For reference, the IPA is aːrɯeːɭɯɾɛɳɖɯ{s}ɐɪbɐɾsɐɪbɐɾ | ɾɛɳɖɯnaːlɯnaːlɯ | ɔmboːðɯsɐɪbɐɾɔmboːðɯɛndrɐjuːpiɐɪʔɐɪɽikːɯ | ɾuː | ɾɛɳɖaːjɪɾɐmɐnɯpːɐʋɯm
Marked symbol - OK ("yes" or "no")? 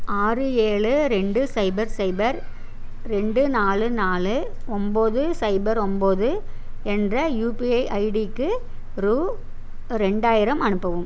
yes